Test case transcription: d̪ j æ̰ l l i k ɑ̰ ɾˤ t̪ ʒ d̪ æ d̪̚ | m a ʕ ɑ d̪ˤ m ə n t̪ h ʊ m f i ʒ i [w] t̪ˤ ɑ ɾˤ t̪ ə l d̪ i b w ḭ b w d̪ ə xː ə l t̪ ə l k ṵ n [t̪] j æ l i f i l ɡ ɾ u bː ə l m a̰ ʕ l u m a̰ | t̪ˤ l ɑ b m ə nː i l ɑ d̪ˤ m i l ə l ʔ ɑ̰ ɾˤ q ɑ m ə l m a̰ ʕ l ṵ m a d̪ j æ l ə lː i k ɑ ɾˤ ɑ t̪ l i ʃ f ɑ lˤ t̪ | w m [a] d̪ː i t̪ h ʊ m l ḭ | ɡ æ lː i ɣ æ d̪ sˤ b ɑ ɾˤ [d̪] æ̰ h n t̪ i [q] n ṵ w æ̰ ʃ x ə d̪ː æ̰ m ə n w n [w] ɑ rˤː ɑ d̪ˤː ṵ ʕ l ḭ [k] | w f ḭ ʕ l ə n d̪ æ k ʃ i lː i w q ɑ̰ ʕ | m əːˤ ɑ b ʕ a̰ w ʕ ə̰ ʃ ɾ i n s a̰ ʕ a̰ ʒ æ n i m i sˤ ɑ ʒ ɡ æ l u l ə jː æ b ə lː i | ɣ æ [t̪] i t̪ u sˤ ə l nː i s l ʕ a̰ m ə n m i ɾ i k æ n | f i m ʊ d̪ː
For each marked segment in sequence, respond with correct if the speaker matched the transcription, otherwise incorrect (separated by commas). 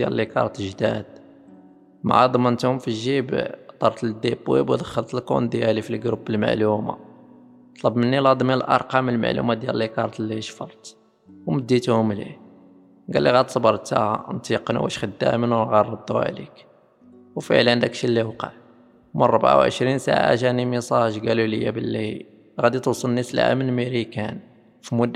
incorrect, incorrect, incorrect, incorrect, correct, incorrect, correct, incorrect